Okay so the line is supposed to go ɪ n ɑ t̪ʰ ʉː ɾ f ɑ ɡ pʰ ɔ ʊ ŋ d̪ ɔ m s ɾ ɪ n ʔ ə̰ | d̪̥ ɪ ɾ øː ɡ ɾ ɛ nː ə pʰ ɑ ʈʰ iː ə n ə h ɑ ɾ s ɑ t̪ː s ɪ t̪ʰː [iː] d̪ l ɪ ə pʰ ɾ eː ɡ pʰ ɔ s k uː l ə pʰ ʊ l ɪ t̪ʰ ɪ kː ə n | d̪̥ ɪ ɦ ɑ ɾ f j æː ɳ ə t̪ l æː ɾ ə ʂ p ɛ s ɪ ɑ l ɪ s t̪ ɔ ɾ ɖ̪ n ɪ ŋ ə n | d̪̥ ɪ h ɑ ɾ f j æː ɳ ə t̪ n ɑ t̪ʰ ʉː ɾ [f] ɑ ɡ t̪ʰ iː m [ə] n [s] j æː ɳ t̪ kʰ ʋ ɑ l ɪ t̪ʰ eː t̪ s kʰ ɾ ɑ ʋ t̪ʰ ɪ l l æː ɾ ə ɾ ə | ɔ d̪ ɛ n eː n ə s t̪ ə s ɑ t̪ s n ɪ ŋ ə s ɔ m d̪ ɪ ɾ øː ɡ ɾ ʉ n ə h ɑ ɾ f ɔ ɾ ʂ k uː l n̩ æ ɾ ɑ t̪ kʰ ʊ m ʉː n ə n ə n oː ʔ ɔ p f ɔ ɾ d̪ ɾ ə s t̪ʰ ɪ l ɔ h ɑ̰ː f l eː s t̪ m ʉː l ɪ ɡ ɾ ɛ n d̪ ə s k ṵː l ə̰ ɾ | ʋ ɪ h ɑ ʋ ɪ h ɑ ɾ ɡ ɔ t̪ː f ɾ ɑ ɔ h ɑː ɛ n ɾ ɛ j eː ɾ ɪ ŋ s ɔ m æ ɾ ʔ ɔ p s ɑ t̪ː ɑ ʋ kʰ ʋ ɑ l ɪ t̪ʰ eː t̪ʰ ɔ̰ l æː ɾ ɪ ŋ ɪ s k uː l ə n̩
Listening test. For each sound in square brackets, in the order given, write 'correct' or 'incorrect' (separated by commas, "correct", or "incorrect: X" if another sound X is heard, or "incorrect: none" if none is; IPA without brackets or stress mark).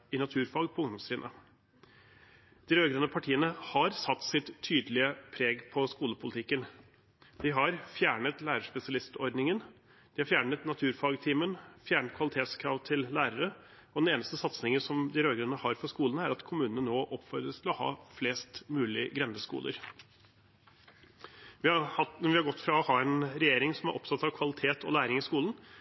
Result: incorrect: yː, correct, correct, incorrect: f